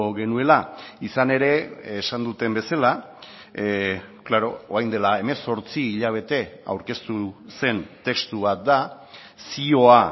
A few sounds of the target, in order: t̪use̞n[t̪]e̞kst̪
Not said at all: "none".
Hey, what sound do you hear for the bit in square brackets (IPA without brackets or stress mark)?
t̪